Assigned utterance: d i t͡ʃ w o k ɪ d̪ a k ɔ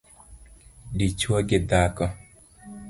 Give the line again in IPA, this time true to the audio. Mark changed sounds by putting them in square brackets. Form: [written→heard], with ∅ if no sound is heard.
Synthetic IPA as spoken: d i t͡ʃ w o [k→ɡ] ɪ d̪ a k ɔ